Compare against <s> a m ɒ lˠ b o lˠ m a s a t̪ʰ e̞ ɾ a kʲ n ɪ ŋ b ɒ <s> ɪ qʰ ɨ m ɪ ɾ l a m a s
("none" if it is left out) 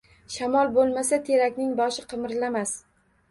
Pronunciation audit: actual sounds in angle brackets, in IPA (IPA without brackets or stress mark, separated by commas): ʃ, ʃ